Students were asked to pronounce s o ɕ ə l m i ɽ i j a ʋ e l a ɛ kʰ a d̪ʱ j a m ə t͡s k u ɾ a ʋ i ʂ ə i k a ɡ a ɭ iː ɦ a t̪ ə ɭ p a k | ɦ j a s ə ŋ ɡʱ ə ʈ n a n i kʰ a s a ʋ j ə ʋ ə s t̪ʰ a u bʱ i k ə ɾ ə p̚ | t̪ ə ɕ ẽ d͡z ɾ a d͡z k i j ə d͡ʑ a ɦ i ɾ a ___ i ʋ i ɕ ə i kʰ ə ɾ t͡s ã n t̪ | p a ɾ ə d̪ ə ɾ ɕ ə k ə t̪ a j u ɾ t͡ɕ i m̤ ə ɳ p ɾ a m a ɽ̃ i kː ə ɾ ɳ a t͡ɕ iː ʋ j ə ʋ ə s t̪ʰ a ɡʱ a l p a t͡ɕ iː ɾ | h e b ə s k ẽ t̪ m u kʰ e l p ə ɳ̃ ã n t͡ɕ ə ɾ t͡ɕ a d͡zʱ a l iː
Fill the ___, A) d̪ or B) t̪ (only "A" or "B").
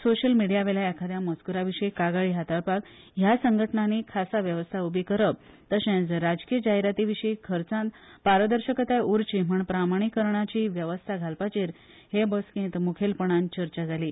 B